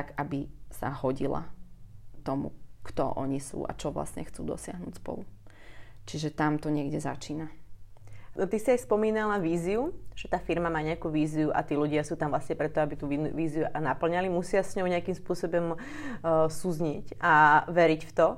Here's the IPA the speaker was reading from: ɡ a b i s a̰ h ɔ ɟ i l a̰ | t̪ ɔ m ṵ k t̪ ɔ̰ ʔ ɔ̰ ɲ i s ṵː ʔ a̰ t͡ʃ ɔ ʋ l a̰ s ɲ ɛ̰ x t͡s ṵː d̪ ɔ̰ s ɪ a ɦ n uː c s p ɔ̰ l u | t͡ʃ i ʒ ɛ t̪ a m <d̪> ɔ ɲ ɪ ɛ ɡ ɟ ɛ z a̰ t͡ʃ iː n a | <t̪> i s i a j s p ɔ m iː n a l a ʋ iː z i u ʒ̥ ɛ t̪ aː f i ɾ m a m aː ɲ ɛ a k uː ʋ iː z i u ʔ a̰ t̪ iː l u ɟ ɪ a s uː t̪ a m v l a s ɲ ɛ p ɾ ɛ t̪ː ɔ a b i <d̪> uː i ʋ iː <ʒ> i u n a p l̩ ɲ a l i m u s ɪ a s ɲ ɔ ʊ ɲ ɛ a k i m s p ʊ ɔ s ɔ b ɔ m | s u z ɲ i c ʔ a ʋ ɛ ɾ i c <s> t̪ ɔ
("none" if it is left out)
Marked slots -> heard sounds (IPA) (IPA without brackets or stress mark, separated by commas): t̪, t̪, t̪, z, f